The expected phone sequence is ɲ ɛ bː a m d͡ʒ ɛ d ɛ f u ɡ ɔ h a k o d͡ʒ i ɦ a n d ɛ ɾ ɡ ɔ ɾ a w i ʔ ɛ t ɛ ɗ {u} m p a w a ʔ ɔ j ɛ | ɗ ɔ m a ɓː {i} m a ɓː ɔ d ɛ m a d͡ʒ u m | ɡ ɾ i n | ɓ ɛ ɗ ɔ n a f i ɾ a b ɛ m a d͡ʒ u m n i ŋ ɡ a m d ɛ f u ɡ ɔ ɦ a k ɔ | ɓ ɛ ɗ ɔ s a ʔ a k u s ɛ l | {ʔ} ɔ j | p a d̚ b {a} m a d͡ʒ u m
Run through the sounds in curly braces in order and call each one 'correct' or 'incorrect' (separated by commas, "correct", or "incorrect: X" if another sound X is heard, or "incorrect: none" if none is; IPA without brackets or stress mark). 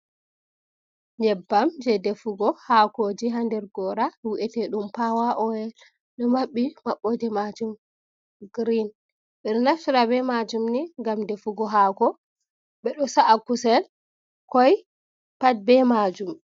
correct, correct, incorrect: k, incorrect: ɛ